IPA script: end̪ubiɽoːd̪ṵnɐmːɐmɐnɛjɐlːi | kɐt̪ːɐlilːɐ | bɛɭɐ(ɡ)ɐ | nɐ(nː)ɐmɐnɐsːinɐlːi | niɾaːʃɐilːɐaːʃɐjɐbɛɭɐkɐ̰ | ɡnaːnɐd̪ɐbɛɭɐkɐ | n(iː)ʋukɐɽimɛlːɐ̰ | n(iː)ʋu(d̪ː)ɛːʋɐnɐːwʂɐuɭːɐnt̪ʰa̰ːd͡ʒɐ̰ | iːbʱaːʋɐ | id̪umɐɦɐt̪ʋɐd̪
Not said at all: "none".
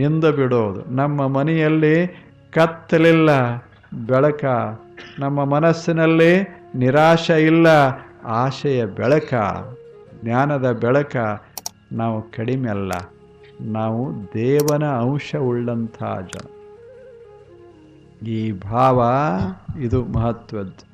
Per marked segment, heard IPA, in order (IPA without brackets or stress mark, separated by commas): k, mː, aː, aː, d̪